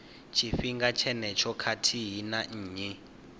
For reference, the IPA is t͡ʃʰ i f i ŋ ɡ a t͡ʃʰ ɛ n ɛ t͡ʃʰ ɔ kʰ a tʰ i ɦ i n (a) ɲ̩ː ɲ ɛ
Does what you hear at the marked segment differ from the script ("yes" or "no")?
no